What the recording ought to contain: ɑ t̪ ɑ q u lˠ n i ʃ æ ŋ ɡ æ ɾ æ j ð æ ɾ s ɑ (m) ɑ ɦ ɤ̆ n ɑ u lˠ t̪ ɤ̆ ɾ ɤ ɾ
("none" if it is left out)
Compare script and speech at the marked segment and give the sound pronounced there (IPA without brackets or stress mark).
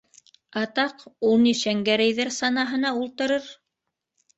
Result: n